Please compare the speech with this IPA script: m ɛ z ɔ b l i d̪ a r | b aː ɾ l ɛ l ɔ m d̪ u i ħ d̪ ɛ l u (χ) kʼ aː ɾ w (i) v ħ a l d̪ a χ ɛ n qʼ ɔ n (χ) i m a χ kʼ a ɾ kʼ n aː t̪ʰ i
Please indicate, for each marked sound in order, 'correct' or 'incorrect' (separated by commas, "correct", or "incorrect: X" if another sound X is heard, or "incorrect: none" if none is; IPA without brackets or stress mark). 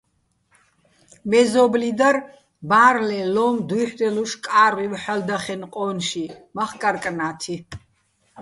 incorrect: ʃ, correct, incorrect: ʃ